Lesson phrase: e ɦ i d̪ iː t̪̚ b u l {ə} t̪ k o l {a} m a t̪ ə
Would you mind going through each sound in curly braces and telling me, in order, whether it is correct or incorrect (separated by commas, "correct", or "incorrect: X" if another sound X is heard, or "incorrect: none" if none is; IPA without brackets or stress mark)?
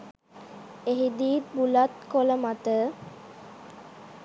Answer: incorrect: a, incorrect: ə